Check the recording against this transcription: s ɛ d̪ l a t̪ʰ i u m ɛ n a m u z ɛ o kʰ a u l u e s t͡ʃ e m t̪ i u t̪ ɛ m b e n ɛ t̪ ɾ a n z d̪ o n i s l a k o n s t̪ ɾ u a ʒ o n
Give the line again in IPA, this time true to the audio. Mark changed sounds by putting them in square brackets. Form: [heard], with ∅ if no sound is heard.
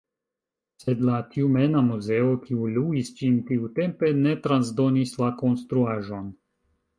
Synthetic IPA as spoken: s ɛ d̪ l a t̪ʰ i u m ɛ n a m u z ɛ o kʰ [i] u l u [i] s t͡ʃ [i] m t̪ i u t̪ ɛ m [p] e n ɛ t̪ ɾ a n z d̪ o n i s l a k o n s t̪ ɾ u a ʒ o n